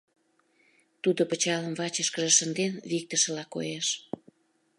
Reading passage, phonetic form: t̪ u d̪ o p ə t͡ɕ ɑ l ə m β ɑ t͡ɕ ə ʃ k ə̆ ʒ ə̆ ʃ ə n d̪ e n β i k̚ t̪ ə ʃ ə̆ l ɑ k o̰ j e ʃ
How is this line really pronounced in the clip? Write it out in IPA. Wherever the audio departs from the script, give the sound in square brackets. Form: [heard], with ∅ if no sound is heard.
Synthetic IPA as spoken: t̪ u d̪ o p ə t͡ɕ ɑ l ə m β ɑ t͡ɕ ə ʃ k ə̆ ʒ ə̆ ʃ ə n d̪ e n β i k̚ t̪ ə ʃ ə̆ l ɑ k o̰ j e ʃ